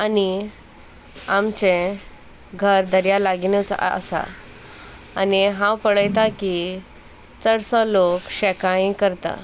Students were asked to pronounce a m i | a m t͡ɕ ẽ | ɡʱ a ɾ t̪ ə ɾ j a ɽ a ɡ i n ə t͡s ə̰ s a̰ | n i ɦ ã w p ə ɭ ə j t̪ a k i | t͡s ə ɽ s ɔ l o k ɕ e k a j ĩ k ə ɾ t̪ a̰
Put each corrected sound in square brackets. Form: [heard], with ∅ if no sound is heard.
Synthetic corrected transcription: a [n] i | a m t͡ɕ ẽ | ɡʱ [ə] ɾ [d̪] ə ɾ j a [l] a ɡ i n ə t͡s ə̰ s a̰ | n i ɦ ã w p ə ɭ ə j t̪ a k i | t͡s ə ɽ s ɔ l o k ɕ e k a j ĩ k ə ɾ t̪ a̰

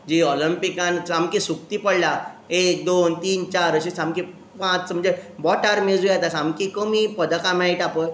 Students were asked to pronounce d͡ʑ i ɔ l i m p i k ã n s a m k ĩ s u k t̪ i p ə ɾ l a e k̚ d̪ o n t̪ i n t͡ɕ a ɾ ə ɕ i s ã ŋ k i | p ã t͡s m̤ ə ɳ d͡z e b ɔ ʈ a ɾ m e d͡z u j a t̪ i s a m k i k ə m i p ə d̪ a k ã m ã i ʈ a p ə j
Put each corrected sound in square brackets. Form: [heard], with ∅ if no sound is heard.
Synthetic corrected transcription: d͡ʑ i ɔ l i m p i k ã n s a m k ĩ s u k t̪ i p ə [ɽ] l a e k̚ d̪ o n t̪ [iː] n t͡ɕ a ɾ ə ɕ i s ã [m] k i | p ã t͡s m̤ ə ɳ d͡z e b ɔ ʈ a ɾ m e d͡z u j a t̪ [a] s a m k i k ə m i p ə d̪ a k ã m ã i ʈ a p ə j

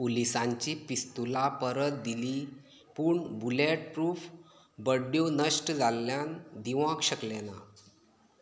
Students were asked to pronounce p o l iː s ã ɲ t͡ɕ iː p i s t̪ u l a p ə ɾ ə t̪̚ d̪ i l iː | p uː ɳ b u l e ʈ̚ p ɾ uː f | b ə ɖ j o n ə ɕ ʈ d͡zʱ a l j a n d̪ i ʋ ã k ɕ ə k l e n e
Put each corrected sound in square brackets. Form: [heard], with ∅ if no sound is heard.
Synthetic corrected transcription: p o l [i] s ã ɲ t͡ɕ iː p i s t̪ u l a p ə ɾ ə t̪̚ d̪ i l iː | p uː ɳ b u l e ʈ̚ p ɾ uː f | b ə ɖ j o n ə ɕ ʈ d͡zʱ a l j a n d̪ i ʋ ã k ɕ ə k l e n [a]

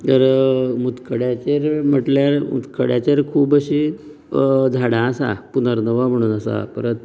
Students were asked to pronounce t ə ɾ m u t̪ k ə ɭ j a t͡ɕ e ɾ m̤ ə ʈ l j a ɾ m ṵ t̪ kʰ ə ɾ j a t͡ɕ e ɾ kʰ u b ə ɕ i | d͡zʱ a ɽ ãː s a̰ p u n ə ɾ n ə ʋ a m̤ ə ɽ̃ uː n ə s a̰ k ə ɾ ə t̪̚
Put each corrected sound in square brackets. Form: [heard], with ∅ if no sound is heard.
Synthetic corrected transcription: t ə ɾ m u t̪ k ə [ɽ] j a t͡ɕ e ɾ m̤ ə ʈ l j a ɾ m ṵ t̪ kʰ ə [ɽ] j a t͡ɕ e ɾ kʰ [uː] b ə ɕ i | d͡zʱ a ɽ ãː s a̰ p u n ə ɾ n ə ʋ a m̤ ə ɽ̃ uː n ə s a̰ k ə ɾ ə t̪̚

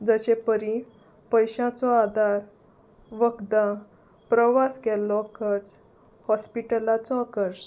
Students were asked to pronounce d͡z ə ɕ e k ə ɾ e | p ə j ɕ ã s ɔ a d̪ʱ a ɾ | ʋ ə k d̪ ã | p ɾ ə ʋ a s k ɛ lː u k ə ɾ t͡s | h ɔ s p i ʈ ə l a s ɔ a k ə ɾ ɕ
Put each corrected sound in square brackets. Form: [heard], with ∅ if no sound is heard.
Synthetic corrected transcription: d͡z ə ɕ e [p] ə ɾ [i] | p ə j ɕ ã [t͡s] ɔ a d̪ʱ a ɾ | ʋ ə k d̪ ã | p ɾ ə ʋ a s k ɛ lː [ɔ] k ə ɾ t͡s | h ɔ s p i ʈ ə l a [t͡s] ɔ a k ə ɾ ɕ

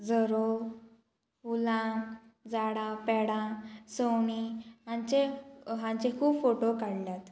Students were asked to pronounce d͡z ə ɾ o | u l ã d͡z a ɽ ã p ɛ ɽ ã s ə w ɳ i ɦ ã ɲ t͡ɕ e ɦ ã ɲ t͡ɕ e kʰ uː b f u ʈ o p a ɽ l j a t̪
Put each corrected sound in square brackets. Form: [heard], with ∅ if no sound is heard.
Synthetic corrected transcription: d͡z ə ɾ o | u l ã d͡z a ɽ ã p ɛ ɽ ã s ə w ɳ i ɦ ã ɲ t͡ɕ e ɦ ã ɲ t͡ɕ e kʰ uː b f [o] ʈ o [k] a ɽ l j a t̪

